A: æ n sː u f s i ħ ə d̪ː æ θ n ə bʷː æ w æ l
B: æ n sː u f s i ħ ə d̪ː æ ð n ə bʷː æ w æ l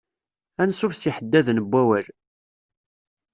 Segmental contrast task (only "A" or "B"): B